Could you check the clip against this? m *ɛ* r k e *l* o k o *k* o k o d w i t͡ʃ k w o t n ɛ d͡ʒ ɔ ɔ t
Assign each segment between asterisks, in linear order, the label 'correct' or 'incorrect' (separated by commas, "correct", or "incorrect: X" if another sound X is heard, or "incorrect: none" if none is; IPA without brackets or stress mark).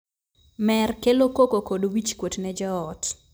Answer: correct, correct, correct